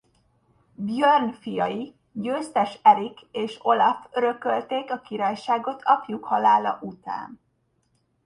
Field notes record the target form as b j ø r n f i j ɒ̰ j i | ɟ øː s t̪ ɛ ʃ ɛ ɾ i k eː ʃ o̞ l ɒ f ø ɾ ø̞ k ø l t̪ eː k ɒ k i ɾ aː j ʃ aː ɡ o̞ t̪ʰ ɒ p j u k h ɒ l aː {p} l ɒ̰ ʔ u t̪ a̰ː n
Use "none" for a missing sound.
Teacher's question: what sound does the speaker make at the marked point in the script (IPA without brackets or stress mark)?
none